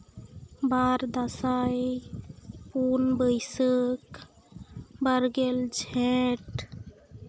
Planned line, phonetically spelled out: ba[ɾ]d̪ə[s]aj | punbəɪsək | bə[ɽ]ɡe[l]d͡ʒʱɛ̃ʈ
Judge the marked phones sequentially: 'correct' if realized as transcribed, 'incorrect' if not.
correct, correct, incorrect: ɾ, correct

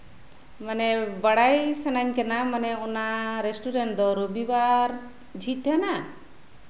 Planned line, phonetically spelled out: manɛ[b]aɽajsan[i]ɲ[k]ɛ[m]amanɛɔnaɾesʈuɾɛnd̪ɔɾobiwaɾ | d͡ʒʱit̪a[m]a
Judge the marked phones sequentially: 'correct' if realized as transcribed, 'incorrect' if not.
correct, incorrect: a, correct, incorrect: n, incorrect: n

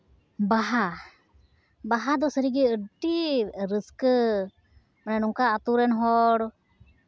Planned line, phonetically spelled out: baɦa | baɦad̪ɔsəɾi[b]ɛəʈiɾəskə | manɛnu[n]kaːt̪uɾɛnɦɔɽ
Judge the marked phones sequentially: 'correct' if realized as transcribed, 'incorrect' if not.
incorrect: ɡ, incorrect: ŋ

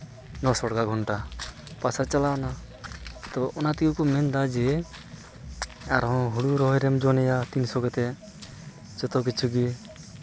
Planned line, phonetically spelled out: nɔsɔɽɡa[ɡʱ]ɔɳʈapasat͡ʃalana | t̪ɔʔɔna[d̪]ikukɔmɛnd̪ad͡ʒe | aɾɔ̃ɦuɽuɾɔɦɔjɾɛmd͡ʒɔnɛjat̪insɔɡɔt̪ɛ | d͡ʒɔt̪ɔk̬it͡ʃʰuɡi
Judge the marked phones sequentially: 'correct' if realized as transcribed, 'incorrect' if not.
correct, incorrect: t̪

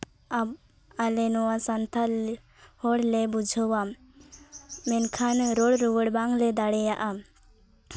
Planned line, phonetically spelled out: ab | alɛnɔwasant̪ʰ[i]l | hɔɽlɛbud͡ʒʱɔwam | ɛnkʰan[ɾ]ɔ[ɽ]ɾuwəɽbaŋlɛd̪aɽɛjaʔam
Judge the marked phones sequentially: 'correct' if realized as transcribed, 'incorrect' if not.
incorrect: a, correct, correct

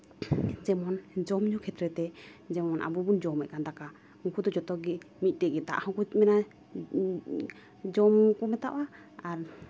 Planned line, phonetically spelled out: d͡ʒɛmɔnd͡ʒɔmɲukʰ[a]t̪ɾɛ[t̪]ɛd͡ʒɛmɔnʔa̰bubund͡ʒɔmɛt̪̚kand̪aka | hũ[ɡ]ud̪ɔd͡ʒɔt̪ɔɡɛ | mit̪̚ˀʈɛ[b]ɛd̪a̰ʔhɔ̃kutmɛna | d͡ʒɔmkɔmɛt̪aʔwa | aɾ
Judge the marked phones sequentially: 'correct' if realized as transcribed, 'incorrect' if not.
incorrect: ɛ, correct, incorrect: k, incorrect: ɡ

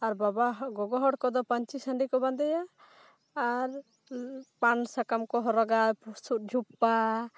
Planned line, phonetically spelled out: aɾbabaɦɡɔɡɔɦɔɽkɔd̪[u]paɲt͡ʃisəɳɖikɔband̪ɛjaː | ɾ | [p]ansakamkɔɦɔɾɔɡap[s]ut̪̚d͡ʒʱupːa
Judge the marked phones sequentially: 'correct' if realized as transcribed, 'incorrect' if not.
incorrect: ɔ, correct, correct

